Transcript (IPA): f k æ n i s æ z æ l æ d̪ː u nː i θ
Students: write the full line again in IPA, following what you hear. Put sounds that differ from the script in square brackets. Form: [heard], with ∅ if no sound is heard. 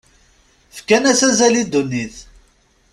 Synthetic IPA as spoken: f k æ n [æ] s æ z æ l [i] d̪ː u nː i θ